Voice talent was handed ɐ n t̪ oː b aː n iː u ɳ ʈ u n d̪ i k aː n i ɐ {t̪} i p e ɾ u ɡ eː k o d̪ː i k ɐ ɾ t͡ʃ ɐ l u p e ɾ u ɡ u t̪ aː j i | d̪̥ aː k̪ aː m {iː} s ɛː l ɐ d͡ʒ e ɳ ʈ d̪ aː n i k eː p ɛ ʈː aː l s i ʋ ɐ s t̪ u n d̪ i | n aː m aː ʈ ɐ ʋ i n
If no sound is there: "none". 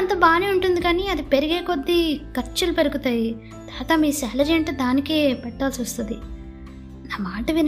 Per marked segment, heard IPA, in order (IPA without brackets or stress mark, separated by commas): d̪, iː